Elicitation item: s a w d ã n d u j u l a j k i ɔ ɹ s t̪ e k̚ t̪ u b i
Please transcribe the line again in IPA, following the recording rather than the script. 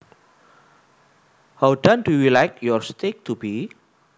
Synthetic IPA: h a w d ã n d u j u l a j k j ɔ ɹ s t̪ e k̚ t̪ u b i